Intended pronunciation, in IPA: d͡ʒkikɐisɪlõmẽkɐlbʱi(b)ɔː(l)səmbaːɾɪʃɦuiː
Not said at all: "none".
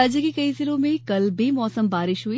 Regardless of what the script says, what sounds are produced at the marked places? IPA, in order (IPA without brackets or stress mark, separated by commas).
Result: m, none